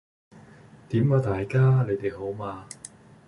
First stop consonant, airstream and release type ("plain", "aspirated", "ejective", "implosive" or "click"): plain